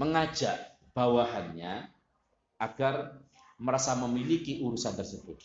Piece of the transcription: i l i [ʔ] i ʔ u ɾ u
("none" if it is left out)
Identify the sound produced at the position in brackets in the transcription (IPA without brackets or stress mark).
k